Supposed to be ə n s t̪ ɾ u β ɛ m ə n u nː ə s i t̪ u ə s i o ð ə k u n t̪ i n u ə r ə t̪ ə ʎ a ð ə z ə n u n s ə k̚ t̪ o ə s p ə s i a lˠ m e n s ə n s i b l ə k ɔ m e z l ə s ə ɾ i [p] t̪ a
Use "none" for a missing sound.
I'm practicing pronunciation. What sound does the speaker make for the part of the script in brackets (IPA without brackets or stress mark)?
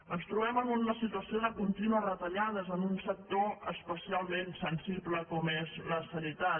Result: none